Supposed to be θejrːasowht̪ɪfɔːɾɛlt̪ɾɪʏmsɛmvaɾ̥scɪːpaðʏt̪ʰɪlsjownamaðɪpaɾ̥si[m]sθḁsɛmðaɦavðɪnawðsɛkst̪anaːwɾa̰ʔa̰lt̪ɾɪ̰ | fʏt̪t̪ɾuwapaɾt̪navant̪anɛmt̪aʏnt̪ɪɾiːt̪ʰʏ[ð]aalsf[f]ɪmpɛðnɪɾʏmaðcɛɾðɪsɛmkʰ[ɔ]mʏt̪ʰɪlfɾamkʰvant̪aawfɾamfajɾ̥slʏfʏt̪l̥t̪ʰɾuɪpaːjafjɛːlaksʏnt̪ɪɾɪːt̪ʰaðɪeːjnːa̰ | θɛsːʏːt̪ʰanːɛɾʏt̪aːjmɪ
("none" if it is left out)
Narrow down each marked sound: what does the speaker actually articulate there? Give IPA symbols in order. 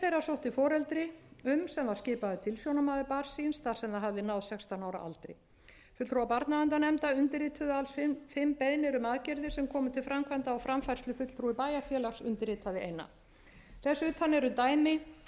n, ð, f, ɔː

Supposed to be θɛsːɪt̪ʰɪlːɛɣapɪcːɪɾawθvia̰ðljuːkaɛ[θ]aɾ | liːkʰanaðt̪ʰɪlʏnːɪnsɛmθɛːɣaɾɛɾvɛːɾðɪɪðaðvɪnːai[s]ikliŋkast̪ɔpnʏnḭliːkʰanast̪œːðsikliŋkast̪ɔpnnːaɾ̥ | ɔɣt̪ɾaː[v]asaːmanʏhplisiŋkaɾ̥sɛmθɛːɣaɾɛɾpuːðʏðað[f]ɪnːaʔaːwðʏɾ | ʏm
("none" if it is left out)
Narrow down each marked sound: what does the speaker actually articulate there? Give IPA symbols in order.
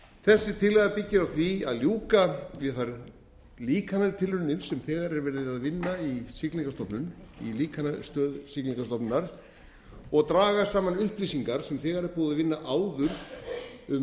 θ, s, ɣ, v

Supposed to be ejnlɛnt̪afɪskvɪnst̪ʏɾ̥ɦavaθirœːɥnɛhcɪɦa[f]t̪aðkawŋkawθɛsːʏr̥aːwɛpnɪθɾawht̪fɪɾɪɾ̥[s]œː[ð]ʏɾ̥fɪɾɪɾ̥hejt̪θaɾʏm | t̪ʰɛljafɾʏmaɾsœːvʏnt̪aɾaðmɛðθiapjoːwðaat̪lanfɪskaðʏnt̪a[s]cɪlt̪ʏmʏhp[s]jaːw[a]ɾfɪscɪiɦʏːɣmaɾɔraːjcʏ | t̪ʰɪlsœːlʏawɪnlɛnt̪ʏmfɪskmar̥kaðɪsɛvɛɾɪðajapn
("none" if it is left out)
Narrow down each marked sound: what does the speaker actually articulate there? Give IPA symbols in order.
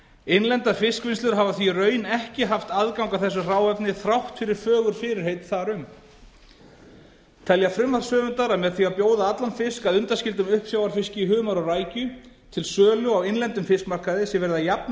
f, f, ɣ, s, s, a

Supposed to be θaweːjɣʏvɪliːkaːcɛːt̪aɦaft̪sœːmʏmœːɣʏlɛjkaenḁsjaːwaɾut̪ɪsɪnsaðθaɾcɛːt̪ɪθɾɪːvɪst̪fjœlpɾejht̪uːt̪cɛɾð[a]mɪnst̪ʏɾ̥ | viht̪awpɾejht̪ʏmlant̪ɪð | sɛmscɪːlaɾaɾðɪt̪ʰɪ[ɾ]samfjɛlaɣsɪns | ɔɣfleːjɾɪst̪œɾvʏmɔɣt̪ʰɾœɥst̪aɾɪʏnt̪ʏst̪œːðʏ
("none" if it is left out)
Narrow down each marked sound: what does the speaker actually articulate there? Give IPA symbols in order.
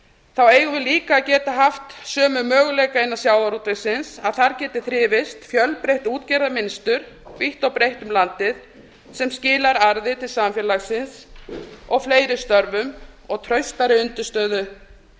a, l

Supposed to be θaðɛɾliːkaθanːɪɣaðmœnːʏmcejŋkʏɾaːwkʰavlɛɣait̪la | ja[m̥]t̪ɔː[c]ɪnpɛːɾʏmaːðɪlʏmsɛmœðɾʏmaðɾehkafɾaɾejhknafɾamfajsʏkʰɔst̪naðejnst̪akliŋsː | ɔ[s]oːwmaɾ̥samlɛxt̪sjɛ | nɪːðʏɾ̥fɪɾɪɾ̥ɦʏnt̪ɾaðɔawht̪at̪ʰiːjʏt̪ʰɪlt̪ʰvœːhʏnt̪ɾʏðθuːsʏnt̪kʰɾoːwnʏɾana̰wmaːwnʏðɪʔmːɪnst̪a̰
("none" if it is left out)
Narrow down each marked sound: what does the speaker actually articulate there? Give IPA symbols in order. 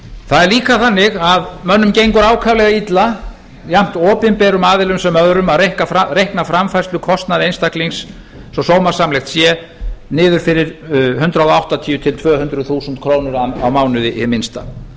m̥, p, s

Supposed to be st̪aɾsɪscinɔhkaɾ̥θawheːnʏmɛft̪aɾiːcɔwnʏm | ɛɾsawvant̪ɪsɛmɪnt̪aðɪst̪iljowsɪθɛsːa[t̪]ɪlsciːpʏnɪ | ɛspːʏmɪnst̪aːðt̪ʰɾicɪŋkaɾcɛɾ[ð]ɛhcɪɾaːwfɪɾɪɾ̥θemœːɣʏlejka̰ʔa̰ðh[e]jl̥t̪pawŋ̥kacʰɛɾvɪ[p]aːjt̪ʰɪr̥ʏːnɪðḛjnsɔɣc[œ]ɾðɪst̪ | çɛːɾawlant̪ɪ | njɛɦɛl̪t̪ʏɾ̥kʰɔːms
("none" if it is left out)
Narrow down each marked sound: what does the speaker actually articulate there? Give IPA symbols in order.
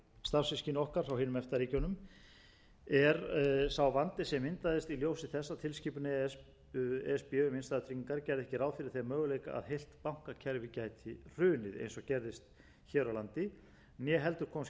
t̪ʰ, ð, e, c, ɛ

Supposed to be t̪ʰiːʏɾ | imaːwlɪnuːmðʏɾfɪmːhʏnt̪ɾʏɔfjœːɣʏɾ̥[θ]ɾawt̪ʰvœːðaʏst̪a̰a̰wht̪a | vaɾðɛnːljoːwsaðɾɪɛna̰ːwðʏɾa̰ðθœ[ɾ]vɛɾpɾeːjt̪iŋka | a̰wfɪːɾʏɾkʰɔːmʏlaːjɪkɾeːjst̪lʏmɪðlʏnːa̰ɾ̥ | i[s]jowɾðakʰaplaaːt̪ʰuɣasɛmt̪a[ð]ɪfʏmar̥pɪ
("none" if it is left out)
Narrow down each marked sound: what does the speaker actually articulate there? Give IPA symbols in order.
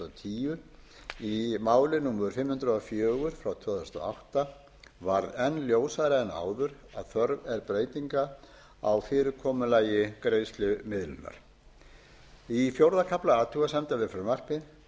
f, ɾ, f, v

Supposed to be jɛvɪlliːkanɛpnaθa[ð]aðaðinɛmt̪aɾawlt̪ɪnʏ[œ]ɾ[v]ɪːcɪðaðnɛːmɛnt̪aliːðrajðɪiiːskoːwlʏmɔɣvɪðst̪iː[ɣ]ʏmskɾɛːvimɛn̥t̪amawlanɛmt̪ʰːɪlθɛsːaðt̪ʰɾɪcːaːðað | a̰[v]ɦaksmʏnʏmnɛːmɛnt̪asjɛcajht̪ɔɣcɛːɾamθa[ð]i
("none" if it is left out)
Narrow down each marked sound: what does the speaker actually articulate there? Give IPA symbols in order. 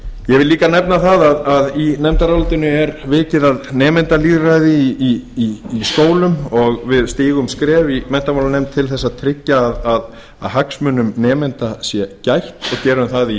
ð, ɛ, v, ɣ, ð, ð

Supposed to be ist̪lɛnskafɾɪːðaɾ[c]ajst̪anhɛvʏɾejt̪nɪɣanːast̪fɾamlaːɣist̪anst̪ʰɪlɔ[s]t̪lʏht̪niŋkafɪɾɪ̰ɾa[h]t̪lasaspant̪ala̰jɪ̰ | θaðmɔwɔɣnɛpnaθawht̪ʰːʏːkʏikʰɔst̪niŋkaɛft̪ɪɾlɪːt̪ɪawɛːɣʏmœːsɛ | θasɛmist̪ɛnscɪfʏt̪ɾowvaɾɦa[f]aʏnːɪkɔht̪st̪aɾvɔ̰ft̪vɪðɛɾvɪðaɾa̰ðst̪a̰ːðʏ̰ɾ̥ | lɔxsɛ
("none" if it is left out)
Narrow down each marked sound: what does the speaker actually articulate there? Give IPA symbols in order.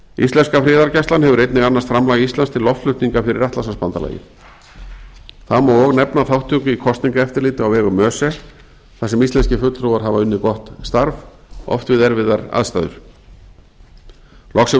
c, f, h, v

